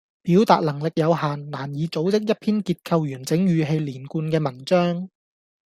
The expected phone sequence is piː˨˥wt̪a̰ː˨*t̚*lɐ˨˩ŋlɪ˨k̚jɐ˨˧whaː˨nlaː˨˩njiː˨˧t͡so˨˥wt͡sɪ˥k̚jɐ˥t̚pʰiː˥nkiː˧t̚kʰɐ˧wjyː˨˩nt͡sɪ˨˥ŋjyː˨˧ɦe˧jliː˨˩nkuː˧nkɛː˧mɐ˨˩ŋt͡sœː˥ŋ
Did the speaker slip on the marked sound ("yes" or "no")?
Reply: no